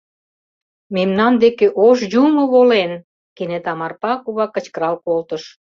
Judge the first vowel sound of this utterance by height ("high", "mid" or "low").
mid